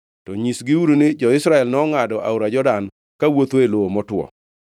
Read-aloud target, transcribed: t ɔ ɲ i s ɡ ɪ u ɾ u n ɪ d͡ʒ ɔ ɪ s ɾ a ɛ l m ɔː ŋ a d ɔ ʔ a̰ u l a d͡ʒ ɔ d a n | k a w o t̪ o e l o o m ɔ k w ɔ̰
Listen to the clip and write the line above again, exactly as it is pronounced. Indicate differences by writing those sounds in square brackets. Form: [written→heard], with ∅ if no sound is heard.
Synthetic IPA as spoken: t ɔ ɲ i s ɡ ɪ u ɾ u n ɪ d͡ʒ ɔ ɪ s ɾ a ɛ l [m→n] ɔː ŋ a d ɔ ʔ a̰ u [l→ɾ] a d͡ʒ ɔ d a n | k a w o t̪ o e l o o m ɔ [k→t] w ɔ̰